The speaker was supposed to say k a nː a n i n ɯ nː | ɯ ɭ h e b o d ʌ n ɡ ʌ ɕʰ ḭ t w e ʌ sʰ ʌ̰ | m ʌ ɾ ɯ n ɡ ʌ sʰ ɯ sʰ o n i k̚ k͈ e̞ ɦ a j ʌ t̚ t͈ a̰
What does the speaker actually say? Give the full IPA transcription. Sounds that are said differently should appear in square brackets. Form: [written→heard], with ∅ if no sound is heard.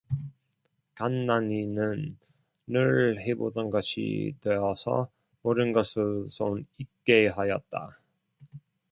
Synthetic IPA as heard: k a nː a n i n ɯ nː | ɯ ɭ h e b o d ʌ n ɡ ʌ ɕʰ ḭ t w e ʌ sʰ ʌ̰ | m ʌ ɾ ɯ n ɡ ʌ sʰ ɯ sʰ o n i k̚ k͈ e̞ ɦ a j ʌ t̚ t͈ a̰